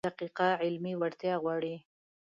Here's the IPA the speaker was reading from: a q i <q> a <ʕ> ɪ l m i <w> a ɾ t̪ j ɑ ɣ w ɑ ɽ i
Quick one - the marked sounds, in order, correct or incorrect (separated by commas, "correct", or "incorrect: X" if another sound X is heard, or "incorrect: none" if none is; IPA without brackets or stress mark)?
correct, correct, correct